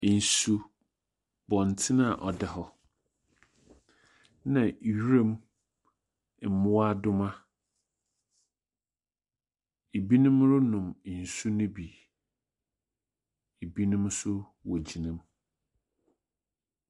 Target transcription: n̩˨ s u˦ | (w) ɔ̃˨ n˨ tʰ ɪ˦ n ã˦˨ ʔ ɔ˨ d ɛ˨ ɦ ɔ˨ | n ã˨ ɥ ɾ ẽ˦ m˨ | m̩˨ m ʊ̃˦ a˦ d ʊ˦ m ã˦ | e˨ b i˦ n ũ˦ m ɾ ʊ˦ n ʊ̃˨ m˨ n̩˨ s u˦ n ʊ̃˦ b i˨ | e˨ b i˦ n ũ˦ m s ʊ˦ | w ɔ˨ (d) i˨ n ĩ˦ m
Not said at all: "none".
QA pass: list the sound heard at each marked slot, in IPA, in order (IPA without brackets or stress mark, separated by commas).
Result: b, d͡ʑ